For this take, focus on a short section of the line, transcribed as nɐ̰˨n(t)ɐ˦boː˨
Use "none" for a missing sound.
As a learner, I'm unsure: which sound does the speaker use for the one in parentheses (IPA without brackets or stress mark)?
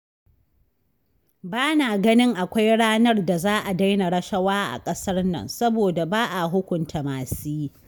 s